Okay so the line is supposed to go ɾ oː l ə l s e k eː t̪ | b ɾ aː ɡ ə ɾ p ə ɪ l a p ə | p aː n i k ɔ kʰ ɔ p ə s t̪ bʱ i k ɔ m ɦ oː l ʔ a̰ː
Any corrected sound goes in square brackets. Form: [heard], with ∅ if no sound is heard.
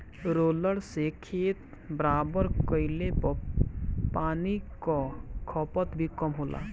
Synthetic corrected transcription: ɾ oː l ə [ɽ] s e [kʰ] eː t̪ | b ɾ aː [b] ə ɾ [k] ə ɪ l [e] p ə | p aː n i k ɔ kʰ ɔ p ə [∅] t̪ bʱ i k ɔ m ɦ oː l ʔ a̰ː